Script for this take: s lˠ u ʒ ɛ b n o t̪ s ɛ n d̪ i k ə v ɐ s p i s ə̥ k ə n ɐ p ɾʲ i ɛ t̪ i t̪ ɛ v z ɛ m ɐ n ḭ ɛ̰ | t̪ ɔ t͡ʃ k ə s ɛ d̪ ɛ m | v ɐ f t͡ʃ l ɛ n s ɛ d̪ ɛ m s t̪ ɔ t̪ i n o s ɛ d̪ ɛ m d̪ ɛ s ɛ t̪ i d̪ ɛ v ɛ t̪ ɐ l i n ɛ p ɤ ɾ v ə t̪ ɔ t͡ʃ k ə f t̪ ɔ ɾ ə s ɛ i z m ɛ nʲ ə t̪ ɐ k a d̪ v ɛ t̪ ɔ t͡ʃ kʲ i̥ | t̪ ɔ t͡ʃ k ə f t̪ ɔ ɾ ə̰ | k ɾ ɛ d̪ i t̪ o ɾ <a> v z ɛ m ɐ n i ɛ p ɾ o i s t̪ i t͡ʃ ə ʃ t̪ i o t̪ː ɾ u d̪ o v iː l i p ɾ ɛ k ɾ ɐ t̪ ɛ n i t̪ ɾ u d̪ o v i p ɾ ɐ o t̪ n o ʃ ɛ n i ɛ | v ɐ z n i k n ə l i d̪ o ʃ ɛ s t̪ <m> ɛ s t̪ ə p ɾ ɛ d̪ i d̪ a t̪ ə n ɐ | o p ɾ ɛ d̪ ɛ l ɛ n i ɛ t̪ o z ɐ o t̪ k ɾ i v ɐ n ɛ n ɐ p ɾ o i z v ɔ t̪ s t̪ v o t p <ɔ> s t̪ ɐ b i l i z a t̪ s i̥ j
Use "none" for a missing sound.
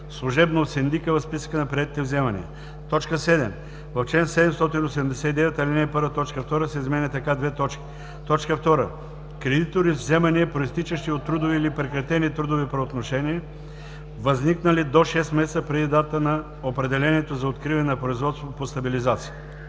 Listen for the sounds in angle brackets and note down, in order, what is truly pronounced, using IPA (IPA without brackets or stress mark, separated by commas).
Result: i, m, o